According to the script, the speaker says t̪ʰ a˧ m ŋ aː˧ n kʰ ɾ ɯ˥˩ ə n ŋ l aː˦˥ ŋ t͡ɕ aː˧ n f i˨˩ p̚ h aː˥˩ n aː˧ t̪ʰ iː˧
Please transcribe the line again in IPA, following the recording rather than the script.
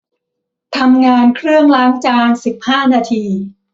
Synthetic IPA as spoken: t̪ʰ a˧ m ŋ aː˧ n kʰ ɾ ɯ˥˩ ə ŋ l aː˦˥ ŋ t͡ɕ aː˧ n s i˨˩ p̚ h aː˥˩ n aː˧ t̪ʰ iː˧